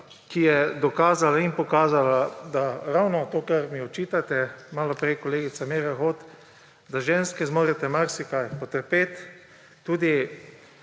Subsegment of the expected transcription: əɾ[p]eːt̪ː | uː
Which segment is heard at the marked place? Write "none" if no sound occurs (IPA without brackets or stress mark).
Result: p